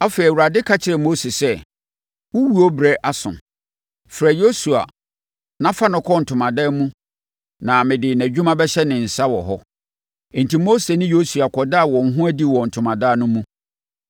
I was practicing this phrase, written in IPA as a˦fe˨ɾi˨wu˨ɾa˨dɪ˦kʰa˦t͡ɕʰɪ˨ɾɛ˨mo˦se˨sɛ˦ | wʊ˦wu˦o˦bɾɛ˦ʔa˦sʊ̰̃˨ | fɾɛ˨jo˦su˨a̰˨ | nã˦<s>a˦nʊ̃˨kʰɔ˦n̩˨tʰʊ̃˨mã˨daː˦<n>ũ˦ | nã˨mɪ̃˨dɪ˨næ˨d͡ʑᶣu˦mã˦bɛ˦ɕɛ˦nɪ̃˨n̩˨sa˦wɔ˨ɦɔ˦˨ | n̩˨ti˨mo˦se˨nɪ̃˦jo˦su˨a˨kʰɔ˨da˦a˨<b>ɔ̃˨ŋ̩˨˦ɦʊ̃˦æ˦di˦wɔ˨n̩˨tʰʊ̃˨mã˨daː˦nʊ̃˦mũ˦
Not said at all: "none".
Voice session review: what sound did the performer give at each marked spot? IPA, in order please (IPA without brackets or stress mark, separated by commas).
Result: f, m, w